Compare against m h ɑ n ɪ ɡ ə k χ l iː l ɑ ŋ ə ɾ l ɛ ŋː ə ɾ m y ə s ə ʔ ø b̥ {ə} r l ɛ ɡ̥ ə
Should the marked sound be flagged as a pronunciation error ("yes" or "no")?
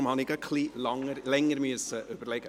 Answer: no